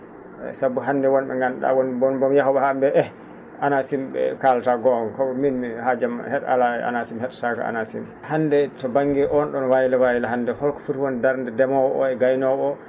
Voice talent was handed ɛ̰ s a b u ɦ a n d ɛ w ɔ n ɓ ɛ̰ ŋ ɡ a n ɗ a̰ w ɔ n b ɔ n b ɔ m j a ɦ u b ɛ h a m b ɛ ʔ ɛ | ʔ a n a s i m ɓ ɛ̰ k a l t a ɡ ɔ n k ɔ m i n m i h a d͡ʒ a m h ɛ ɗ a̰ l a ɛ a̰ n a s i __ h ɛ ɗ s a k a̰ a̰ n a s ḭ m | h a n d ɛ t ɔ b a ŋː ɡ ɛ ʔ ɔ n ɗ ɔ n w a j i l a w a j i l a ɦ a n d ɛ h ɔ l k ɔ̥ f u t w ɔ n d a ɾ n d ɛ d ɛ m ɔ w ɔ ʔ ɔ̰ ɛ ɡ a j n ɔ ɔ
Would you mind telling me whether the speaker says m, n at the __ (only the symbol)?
m